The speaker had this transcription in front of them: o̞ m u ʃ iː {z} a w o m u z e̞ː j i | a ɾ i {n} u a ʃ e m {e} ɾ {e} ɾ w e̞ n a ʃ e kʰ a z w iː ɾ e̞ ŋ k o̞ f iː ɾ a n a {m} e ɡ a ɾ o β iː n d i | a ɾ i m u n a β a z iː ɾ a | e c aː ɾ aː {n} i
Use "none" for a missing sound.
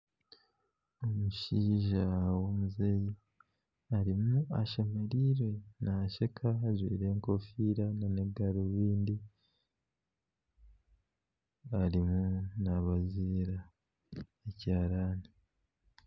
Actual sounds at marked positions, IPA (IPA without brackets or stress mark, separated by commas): ʒ, m, e, i, n, n